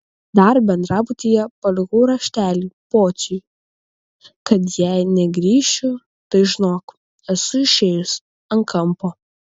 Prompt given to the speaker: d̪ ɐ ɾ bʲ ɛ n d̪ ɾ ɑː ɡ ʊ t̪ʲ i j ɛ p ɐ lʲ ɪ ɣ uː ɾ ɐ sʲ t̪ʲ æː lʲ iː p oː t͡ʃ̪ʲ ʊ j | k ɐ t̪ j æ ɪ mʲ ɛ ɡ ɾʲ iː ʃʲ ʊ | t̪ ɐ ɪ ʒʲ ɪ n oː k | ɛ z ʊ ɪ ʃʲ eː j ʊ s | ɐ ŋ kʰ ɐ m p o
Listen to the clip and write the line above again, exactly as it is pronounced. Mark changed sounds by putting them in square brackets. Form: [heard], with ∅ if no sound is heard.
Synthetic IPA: d̪ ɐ ɾ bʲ ɛ n d̪ ɾ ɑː [b] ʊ t̪ʲ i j ɛ p ɐ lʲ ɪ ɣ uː ɾ ɐ [ʃʲ] t̪ʲ æː lʲ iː p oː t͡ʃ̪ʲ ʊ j | k ɐ t̪ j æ ɪ [nʲ] ɛ ɡ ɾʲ iː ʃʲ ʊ | t̪ ɐ ɪ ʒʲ ɪ n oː k | ɛ [s] ʊ ɪ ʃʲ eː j ʊ s | ɐ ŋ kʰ ɐ m p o